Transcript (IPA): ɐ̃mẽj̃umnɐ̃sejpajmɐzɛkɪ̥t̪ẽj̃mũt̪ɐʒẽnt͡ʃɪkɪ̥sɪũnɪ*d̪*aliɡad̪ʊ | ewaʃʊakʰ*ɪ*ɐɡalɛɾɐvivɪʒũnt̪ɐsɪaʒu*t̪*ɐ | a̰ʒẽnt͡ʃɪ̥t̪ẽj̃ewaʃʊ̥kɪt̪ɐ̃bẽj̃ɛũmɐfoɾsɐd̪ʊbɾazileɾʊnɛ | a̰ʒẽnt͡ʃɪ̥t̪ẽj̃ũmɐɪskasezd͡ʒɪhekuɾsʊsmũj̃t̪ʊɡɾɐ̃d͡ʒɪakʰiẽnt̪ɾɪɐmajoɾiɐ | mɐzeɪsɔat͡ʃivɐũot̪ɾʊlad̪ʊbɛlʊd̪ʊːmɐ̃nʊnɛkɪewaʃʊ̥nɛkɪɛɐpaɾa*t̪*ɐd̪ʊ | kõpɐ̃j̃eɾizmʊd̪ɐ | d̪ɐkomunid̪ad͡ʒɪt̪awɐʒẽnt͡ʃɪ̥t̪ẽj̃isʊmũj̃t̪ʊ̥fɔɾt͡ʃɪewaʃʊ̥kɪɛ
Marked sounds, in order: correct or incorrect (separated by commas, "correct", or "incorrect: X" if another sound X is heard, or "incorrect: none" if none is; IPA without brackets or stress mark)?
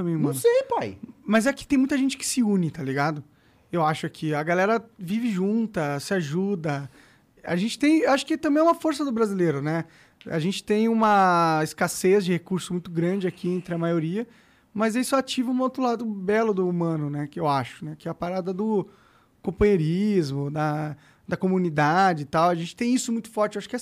incorrect: t̪, incorrect: i, incorrect: d̪, incorrect: d̪